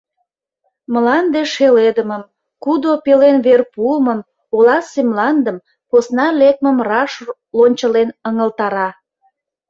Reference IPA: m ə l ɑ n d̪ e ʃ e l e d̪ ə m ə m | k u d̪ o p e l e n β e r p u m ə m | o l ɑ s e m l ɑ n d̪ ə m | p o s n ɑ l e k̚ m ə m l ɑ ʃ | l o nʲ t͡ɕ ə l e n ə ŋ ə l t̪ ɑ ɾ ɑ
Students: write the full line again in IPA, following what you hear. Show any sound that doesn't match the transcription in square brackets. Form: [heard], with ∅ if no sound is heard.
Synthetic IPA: m ə l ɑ n d̪ e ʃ e l e d̪ ə m ə m | k u d̪ o p e l e n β e r p u m ə m | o l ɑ s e m l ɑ n d̪ ə m | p o s n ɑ l e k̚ m ə m [r] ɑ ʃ | l o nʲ t͡ɕ ə l e n ə ŋ ə l t̪ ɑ ɾ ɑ